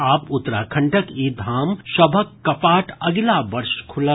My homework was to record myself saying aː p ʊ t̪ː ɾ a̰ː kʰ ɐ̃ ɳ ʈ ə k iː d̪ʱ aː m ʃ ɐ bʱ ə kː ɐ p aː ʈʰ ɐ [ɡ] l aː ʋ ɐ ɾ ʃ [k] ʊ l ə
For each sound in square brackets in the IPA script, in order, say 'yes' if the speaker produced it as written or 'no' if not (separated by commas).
yes, no